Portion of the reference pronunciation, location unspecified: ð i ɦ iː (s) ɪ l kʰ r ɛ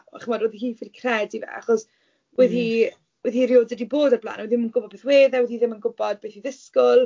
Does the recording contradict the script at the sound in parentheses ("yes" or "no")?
yes